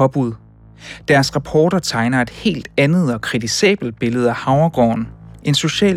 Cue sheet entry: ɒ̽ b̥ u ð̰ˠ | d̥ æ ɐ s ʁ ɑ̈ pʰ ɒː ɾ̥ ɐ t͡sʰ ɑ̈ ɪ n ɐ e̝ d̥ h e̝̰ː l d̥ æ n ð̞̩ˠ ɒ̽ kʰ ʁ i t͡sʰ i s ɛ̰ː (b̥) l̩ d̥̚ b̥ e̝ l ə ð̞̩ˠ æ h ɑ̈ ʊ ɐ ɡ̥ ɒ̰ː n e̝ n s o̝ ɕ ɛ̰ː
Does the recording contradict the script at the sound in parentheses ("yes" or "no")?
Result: no